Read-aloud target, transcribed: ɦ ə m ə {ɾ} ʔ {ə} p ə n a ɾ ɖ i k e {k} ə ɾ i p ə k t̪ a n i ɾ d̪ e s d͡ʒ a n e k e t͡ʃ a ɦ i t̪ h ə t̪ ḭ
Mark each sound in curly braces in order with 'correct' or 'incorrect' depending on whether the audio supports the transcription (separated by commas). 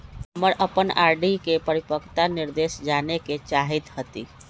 correct, correct, incorrect